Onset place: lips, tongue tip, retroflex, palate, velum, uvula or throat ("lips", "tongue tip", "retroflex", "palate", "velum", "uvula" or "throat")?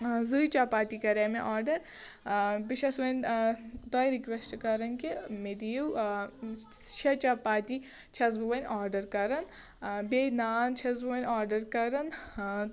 tongue tip